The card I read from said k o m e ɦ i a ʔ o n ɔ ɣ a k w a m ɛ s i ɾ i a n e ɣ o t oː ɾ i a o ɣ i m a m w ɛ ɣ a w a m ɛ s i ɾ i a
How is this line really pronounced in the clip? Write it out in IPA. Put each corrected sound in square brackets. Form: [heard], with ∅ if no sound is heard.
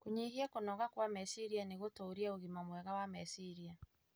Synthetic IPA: k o [ɲ] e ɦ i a [k] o n ɔ ɣ a k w a m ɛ s i ɾ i a n e ɣ o t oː ɾ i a o ɣ i m a m w ɛ ɣ a w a m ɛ s i ɾ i a